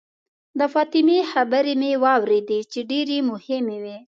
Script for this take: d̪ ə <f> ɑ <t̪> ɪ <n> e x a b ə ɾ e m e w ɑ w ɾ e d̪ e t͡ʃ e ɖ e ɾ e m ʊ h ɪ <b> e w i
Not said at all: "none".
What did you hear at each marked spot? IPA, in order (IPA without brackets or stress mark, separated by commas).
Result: f, t̪, m, m